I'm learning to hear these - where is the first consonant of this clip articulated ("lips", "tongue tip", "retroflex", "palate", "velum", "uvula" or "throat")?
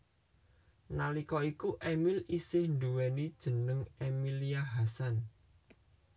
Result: tongue tip